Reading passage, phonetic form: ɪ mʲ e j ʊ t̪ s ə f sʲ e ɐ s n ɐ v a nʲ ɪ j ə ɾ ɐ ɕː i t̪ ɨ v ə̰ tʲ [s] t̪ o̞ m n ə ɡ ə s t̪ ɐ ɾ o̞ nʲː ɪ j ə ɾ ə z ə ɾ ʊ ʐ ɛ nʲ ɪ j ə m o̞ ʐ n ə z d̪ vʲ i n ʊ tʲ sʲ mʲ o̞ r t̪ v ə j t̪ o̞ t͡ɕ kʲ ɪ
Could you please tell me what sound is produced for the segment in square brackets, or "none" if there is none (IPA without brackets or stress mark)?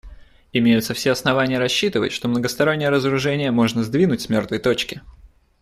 ʂ